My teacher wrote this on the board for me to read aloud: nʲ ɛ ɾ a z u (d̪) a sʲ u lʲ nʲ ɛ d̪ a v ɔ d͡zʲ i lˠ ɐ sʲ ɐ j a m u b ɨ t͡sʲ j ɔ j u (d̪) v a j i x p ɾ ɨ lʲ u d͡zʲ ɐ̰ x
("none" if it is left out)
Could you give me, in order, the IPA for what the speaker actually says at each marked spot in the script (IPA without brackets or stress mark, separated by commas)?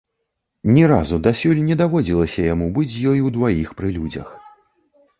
d̪, d̪